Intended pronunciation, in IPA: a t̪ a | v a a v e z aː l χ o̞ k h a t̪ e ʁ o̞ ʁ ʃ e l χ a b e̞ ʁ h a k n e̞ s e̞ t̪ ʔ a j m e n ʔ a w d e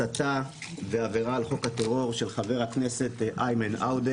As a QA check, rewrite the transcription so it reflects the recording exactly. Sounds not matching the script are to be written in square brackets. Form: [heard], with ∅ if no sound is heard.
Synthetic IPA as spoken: a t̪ a | v [e] a v e [ʁ] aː l χ o̞ k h a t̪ e ʁ o̞ ʁ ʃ e l χ a [v] e̞ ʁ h a k n e̞ s e̞ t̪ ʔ a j m e n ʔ a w d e